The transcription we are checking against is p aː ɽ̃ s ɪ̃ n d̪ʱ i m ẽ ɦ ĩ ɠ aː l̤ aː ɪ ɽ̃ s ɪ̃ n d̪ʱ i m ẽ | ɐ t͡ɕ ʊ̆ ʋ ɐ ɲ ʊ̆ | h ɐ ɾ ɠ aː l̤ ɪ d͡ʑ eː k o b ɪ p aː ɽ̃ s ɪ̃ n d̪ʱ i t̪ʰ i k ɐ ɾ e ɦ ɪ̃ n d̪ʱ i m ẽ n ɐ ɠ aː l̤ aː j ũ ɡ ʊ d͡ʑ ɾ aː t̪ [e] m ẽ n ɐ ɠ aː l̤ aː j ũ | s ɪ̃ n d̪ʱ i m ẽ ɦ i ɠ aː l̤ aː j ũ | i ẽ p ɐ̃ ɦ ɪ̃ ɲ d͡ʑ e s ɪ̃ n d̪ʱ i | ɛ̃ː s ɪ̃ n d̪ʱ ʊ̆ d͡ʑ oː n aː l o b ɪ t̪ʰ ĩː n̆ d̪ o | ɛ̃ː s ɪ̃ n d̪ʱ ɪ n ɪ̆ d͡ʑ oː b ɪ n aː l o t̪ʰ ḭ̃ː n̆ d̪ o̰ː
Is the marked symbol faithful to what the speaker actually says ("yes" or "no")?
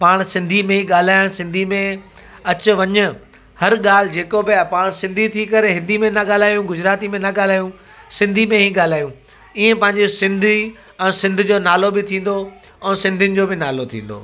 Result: no